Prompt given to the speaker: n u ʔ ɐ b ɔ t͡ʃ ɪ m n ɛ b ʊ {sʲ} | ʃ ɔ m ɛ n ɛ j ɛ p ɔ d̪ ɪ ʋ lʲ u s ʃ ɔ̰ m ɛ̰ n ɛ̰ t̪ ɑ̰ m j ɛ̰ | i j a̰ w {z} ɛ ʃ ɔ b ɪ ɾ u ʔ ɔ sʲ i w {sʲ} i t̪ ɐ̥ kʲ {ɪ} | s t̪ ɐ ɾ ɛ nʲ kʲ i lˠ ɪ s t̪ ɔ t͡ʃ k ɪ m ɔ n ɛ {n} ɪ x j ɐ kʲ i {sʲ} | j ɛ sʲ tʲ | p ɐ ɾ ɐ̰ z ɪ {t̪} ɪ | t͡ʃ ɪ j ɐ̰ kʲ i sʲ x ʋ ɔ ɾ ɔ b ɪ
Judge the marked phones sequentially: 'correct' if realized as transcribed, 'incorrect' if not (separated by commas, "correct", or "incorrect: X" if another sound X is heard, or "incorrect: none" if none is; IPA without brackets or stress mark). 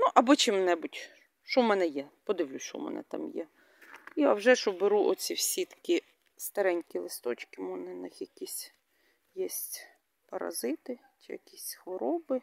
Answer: incorrect: tʲ, incorrect: ʒ, correct, incorrect: i, correct, correct, correct